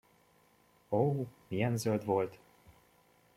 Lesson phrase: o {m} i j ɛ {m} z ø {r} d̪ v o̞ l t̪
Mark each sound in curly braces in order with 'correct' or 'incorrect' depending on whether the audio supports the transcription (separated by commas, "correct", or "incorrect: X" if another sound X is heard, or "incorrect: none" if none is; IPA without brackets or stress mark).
correct, incorrect: n, incorrect: l